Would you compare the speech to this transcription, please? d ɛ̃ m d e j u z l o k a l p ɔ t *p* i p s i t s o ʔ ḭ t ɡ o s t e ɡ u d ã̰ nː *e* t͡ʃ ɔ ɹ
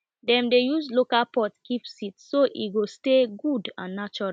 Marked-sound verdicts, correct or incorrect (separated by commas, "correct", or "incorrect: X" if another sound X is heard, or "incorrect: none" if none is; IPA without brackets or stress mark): incorrect: k, incorrect: a